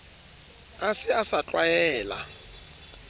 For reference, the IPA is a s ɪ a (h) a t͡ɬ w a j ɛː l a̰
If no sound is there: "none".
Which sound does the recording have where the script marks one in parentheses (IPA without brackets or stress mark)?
s